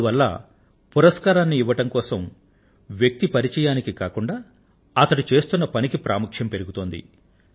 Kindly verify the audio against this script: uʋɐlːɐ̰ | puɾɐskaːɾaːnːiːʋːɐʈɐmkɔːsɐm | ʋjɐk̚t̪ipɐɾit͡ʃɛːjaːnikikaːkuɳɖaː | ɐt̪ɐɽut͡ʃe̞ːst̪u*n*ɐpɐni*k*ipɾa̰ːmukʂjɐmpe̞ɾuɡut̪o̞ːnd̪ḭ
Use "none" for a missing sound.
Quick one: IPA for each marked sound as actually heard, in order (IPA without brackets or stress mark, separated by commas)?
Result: nː, k